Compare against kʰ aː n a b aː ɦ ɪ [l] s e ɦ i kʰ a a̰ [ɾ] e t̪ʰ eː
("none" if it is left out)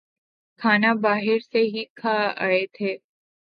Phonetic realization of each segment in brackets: ɾ, none

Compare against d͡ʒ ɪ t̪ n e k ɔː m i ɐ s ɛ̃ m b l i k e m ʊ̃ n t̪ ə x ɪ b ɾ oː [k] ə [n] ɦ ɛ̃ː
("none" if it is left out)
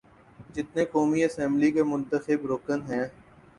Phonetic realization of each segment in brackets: k, n

